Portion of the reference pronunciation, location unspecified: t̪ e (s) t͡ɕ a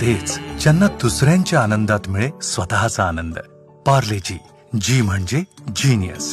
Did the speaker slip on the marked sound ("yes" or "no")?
yes